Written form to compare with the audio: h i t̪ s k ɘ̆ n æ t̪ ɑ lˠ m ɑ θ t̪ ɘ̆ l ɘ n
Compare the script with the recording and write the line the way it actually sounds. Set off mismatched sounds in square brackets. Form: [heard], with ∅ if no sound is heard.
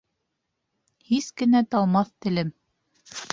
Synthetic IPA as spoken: h i [∅] s k ɘ̆ n æ t̪ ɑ lˠ m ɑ θ t̪ ɘ̆ l ɘ [m]